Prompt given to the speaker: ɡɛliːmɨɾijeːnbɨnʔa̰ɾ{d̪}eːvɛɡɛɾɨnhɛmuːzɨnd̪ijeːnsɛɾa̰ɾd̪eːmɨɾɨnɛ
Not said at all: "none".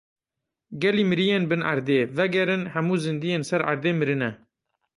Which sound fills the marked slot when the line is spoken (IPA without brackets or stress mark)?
d̪